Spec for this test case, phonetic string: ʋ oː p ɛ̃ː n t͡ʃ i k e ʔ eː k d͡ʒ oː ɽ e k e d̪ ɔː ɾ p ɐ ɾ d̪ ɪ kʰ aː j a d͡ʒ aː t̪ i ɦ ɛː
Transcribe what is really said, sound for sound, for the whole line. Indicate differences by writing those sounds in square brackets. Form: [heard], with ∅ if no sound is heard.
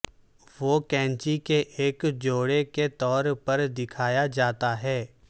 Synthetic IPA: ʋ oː [k] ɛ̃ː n t͡ʃ i k e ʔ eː k d͡ʒ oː ɽ e k e [t̪] ɔː ɾ p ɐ ɾ d̪ ɪ kʰ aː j a d͡ʒ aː t̪ [a] ɦ ɛː